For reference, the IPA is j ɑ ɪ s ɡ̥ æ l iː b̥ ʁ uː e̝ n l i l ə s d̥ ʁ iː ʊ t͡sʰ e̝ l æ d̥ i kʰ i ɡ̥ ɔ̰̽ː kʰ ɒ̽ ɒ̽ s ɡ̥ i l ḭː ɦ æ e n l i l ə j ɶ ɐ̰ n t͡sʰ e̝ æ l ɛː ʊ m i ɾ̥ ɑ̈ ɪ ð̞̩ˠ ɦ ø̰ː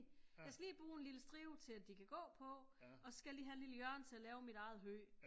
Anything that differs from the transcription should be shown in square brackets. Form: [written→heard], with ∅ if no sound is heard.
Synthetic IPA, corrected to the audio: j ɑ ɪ s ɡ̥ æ l iː b̥ ʁ uː e̝ n l i l ə s d̥ ʁ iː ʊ t͡sʰ e̝ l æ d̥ i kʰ [i→æ] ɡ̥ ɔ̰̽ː [kʰ→pʰ] ɒ̽ ɒ̽ s ɡ̥ [i→æ] l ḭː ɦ æ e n l i l ə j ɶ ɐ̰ n t͡sʰ e̝ æ l ɛː ʊ m i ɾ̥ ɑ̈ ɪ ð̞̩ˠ ɦ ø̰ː